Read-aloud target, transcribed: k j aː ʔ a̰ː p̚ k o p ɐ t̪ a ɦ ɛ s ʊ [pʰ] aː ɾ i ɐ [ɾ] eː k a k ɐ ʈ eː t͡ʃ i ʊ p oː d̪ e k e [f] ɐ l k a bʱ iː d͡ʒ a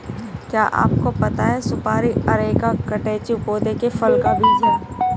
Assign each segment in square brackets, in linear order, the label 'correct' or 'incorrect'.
incorrect: p, correct, correct

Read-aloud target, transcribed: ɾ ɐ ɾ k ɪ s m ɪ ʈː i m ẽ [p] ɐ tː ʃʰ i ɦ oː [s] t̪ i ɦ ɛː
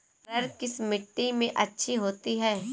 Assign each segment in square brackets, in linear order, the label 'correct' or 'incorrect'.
incorrect: ʔ, incorrect: none

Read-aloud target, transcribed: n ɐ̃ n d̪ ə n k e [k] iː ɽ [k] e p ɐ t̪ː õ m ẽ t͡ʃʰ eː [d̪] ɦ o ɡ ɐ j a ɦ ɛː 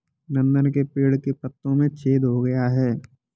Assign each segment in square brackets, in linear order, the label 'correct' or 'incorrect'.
incorrect: p, correct, correct

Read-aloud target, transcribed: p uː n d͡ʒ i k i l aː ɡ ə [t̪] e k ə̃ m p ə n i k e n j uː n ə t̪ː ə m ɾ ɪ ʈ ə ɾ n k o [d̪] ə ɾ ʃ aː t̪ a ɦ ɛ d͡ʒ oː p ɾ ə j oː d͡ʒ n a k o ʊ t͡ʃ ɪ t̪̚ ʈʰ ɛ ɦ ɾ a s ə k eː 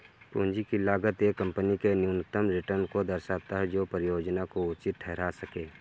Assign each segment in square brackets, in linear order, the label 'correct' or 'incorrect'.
correct, correct

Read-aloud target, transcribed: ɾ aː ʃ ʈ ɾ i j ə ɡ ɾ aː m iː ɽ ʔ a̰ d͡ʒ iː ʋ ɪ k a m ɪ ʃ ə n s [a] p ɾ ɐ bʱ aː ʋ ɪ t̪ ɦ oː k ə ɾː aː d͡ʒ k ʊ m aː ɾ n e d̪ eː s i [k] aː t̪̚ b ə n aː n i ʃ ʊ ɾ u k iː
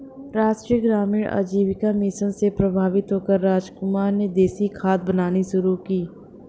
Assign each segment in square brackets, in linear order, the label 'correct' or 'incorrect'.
incorrect: e, incorrect: kʰ

